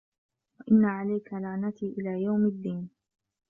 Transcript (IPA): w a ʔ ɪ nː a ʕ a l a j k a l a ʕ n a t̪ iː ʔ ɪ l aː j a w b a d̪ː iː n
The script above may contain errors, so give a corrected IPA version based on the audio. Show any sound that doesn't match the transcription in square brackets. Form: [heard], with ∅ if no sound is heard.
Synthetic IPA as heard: w a ʔ ɪ nː a ʕ a l a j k a l a ʕ n a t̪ iː ʔ ɪ l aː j a w [m] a d̪ː iː n